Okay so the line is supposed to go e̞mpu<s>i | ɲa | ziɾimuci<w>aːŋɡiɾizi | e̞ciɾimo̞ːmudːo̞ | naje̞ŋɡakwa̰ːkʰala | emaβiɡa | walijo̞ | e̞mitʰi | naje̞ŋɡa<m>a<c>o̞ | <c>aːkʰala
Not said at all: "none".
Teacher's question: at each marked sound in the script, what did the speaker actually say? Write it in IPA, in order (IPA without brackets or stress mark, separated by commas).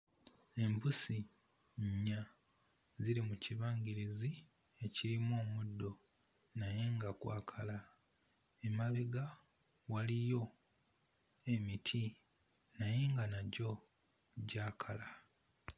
s, β, n, ɟ, ɟ